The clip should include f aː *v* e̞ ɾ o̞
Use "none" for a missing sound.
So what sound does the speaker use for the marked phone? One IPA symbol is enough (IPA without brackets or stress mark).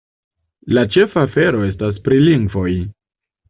f